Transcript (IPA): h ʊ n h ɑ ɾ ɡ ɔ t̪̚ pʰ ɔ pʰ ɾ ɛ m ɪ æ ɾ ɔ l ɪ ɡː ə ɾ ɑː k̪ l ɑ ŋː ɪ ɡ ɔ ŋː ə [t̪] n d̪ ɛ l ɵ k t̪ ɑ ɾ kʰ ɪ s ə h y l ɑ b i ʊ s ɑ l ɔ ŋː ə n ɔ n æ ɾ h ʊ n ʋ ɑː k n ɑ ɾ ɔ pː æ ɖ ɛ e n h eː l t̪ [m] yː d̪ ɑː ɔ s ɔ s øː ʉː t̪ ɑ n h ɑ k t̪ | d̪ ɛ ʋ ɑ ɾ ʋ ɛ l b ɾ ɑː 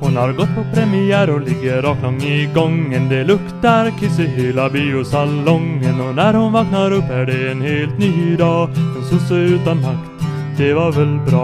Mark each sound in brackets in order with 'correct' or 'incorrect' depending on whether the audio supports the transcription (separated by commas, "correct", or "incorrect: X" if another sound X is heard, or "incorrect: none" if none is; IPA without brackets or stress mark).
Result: incorrect: none, incorrect: n